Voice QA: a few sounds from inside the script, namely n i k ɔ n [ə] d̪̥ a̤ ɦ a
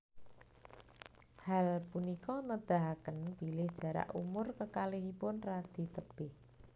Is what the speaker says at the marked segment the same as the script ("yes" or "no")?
yes